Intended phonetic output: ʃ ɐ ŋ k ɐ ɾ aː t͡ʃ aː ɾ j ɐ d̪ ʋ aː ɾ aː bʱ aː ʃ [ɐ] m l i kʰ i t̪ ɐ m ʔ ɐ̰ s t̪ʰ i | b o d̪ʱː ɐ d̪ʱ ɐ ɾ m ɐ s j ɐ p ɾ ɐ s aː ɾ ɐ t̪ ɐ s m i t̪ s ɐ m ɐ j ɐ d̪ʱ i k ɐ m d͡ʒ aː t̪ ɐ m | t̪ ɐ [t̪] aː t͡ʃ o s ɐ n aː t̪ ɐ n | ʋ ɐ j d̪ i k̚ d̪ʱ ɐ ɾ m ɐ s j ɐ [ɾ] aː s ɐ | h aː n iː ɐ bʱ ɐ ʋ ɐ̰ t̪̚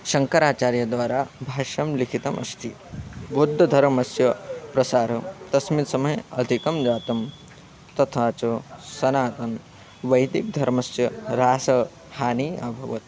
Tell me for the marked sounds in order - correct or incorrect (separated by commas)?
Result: correct, incorrect, correct